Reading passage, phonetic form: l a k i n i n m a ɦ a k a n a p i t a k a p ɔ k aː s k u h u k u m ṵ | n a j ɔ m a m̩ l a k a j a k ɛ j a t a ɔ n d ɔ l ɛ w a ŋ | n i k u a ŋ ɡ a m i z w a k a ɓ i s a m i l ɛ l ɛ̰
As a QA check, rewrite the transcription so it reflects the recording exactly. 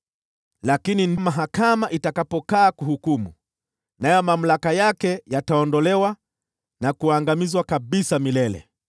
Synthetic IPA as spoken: l a k i n i n m a ɦ a k a m a ʔ i t a k a p ɔ k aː k u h u k u m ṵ | n a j ɔ m a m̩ l a k a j a k ɛ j a t a ɔ n d ɔ l ɛ w a | n a k u a ŋ ɡ a m i z w a k a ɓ i s a m i l ɛ l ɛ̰